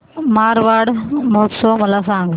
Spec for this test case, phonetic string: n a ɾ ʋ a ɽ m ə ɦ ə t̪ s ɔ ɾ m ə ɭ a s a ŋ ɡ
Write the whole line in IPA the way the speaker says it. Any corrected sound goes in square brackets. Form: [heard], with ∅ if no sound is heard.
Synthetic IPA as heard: [m] a ɾ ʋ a ɽ m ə ɦ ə t̪ s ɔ [∅] m ə [l] a s a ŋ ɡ